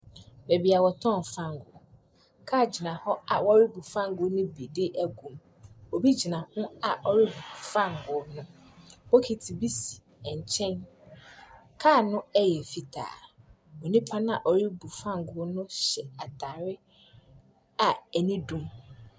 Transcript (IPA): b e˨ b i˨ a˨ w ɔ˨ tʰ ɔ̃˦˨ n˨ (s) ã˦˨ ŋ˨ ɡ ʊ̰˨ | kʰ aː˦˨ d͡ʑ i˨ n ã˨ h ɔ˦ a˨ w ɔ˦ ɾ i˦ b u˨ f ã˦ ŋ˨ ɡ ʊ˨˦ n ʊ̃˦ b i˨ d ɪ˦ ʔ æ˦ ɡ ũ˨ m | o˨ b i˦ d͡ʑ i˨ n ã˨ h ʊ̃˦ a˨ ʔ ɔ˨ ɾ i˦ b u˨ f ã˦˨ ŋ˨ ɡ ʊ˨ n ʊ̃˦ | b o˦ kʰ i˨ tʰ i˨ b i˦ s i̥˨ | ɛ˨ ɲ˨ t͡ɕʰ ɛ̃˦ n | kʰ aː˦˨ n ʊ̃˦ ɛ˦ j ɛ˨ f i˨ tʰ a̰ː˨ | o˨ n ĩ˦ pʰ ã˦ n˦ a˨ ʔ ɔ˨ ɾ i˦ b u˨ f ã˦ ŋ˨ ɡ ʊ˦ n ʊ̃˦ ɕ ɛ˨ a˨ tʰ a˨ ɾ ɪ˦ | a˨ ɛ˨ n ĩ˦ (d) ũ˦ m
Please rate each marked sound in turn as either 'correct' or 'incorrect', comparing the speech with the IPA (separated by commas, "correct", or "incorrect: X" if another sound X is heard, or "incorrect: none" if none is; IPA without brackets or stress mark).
incorrect: f, correct